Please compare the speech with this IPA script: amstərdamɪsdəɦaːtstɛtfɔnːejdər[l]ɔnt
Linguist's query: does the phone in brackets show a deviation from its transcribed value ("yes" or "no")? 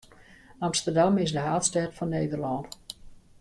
no